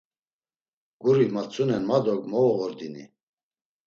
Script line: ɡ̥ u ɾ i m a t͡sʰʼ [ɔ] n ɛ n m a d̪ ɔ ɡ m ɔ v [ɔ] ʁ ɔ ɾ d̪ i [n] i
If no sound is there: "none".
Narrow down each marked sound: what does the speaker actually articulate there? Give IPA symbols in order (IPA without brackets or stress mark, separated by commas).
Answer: u, ɔ, n